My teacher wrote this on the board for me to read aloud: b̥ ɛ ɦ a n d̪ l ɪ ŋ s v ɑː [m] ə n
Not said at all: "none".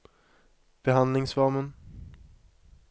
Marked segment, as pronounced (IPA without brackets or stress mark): m